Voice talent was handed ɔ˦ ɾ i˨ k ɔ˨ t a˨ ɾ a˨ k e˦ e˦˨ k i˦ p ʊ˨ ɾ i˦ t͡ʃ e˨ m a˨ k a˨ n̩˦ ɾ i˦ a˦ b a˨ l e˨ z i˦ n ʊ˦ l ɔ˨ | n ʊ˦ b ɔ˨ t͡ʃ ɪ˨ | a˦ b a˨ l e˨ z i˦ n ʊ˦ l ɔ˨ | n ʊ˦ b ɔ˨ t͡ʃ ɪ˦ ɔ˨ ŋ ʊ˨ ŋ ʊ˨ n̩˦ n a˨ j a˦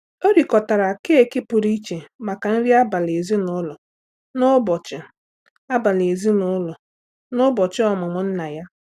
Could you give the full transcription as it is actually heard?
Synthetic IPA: o˦ ɾ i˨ k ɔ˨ t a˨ ɾ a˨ k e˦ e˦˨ k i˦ p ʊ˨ ɾ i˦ t͡ʃ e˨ m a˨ k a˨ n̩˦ ɾ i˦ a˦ b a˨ l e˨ z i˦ n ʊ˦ l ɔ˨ | n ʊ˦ b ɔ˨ t͡ʃ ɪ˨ | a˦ b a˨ l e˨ z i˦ n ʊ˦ l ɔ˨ | n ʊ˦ b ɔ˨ t͡ʃ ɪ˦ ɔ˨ m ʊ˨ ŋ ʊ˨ n̩˦ n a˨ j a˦